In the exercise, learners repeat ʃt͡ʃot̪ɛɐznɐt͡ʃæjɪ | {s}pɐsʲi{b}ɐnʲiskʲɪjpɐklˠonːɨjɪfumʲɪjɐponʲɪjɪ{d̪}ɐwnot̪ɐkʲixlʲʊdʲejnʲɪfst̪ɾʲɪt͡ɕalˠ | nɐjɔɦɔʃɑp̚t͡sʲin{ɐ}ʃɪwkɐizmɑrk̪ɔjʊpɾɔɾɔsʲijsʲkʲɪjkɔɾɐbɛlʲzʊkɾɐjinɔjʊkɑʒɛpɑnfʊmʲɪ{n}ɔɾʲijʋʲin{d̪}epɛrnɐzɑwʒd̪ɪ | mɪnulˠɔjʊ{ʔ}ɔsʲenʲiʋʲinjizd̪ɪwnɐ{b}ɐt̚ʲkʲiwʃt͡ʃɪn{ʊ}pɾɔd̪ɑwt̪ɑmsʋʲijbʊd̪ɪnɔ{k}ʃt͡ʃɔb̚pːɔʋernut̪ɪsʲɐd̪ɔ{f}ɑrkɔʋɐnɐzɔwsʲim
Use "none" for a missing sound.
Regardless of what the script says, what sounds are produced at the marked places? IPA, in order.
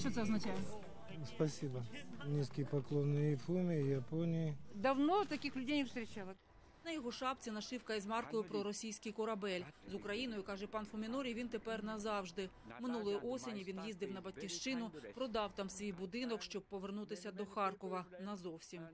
s, b, d̪, ɐ, n, t̪, ʔ, b, ʊ, k, x

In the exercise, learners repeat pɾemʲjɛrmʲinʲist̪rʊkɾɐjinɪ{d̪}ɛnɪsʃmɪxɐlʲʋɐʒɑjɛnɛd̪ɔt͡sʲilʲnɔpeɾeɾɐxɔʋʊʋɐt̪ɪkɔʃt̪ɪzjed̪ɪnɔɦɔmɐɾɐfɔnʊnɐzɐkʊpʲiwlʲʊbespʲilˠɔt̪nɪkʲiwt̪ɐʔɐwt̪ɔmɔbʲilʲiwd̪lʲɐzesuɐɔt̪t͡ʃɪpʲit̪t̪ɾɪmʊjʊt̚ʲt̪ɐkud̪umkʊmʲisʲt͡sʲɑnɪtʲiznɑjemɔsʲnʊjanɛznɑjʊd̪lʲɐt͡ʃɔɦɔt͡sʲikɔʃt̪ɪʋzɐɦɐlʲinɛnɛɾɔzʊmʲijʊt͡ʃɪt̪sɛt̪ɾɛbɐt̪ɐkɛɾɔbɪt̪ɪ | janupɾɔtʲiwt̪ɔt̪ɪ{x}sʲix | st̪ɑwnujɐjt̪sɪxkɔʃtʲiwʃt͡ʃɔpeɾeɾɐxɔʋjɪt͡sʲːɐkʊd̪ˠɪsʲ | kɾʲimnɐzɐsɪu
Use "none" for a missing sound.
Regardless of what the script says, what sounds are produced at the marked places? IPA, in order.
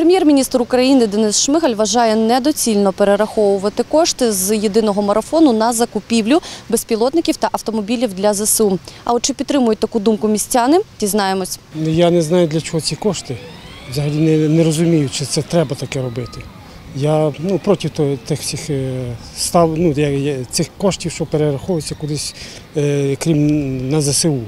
d̪, x

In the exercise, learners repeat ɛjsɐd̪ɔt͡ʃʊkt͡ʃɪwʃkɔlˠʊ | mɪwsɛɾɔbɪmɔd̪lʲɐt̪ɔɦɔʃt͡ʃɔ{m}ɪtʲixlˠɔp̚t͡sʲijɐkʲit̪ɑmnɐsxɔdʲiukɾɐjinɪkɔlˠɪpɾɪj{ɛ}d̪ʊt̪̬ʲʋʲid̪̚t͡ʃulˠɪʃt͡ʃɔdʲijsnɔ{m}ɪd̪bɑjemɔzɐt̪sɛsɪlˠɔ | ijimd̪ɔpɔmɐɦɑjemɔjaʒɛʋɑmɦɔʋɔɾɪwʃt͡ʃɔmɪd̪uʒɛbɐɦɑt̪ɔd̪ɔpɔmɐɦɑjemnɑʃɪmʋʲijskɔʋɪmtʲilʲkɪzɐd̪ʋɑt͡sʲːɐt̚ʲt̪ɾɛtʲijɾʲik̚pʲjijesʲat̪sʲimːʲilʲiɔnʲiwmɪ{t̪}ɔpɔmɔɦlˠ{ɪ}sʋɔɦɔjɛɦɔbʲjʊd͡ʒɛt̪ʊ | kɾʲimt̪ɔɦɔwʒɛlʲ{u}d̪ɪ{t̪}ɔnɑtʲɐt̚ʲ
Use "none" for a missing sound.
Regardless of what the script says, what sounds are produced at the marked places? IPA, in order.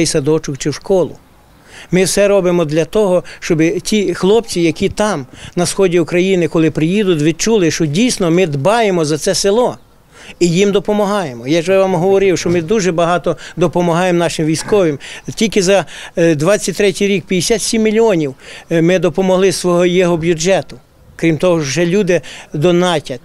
b, i, m, d̪, ɪ, u, d̪

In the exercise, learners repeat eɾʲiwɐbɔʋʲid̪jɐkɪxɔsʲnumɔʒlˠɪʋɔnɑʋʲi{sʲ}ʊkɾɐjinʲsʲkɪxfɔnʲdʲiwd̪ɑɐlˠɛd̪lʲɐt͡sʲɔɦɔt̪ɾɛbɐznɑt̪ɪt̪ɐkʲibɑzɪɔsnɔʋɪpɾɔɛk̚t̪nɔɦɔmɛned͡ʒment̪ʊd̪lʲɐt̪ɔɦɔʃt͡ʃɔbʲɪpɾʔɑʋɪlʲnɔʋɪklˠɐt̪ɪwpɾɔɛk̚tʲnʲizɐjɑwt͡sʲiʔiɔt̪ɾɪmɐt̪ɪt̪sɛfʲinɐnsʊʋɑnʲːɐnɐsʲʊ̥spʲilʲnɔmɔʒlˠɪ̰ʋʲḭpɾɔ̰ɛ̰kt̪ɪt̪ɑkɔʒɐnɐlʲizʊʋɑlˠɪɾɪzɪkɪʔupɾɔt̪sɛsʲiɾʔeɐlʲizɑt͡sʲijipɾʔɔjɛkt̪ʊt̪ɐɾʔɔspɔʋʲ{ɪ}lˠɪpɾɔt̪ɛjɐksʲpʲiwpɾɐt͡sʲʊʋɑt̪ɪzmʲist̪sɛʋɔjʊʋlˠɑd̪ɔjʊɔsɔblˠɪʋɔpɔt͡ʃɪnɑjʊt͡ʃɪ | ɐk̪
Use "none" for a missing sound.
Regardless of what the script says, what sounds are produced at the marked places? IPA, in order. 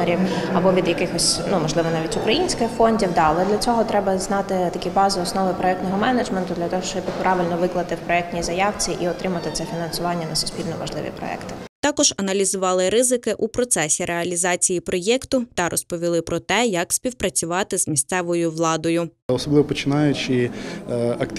tʲ, i

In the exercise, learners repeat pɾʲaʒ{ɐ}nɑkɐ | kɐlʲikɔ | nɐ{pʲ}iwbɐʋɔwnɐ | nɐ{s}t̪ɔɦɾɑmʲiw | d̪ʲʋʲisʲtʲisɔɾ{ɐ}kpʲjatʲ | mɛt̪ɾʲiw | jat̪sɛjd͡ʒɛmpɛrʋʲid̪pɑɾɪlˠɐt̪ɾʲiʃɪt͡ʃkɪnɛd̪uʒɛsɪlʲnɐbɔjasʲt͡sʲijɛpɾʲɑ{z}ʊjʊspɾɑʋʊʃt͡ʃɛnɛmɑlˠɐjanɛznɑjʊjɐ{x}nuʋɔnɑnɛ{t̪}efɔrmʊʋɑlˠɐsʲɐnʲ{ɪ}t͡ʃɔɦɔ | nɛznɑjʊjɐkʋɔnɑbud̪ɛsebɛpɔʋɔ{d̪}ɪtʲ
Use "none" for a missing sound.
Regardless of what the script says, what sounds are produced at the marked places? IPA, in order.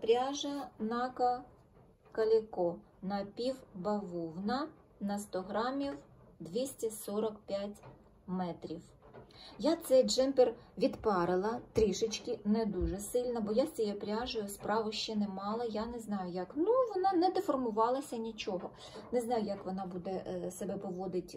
ɐ, pʲ, s, ɐ, ʒ, k, d̪, i, d̪

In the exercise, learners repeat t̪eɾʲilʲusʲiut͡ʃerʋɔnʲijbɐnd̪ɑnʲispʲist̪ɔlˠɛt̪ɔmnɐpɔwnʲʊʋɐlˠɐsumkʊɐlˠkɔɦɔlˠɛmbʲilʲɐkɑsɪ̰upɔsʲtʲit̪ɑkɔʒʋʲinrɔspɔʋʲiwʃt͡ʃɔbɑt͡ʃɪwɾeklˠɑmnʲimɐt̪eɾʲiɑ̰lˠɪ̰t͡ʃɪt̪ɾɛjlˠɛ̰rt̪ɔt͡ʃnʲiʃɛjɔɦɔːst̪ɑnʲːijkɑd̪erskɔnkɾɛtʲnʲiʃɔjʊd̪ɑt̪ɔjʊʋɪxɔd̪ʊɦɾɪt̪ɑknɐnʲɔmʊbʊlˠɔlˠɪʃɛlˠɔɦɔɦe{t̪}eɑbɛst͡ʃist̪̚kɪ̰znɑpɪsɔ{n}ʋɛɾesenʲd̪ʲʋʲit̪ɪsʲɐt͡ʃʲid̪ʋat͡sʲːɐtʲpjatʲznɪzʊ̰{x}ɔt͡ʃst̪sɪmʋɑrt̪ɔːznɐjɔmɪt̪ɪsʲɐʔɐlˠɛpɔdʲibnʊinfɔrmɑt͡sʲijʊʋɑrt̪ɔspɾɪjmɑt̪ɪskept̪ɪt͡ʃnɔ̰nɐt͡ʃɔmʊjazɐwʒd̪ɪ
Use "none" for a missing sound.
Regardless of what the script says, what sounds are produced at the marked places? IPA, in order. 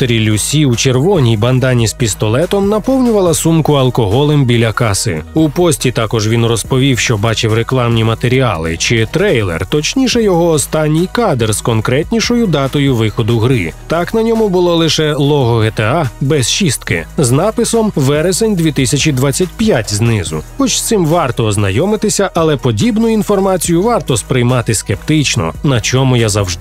t̪, m, x

